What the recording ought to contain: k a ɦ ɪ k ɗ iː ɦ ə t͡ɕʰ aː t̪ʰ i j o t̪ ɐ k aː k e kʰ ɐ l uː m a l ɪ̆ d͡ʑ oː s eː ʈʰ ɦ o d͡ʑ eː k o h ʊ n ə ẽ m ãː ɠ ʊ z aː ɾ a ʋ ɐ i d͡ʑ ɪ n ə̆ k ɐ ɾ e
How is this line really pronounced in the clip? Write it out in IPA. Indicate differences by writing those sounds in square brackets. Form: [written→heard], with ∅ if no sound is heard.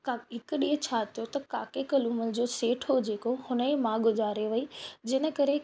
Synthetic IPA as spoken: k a ɦ ɪ k ɗ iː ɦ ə t͡ɕʰ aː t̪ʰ i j o t̪ ɐ k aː k e [kʰ→k] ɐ l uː m [a→ə] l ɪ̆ d͡ʑ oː s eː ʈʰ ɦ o d͡ʑ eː k o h ʊ n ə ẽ m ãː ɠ ʊ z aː ɾ [a→e] ʋ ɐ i d͡ʑ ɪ n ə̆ k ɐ ɾ e